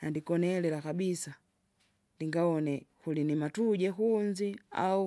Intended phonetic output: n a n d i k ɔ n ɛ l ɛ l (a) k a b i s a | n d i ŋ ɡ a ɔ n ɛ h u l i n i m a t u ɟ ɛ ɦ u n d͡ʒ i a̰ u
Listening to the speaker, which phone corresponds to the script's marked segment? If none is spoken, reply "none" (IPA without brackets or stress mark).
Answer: a